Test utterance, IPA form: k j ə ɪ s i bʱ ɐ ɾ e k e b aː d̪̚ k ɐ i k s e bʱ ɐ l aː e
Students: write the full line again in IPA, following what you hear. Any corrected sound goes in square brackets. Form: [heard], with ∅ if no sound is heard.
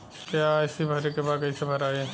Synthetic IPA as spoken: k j [a] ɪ s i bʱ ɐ ɾ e k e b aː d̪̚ k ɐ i [∅] s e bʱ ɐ [ɾ] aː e